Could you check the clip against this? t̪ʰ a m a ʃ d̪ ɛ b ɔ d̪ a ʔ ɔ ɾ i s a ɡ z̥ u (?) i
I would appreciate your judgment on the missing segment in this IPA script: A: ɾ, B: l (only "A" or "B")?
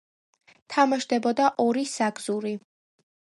A